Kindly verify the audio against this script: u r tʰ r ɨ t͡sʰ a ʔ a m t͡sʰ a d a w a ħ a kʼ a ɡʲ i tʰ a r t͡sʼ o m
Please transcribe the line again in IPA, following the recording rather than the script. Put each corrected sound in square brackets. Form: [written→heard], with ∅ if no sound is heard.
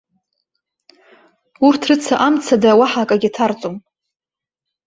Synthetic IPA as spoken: u r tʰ r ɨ t͡sʰ a ʔ a m t͡sʰ a d a w a ħ a kʼ a ɡʲ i tʰ a r t͡sʼ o m